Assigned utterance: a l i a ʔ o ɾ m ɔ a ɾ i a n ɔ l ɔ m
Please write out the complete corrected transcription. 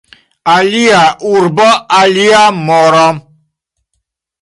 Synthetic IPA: a l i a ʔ u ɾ b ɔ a l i a m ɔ ɾ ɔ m